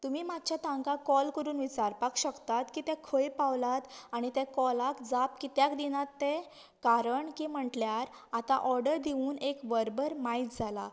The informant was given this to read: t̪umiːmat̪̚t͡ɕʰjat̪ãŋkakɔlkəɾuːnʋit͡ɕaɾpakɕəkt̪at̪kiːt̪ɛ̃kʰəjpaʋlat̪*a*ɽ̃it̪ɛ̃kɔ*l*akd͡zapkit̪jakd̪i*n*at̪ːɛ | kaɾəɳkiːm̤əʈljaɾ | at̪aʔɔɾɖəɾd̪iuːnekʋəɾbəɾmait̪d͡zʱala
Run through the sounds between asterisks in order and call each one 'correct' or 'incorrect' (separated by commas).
correct, correct, correct